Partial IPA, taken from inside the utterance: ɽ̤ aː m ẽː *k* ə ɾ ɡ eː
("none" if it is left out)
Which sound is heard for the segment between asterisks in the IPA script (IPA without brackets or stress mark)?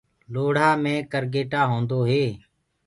k